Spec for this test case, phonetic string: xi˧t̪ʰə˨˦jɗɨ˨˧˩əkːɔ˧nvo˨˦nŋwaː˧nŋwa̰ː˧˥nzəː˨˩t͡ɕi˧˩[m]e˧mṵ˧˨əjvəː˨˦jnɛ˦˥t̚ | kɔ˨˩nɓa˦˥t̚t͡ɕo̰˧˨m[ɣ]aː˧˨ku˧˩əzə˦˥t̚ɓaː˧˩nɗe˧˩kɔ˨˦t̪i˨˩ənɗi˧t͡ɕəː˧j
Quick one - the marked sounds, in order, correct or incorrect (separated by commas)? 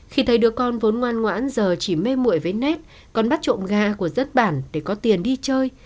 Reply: correct, correct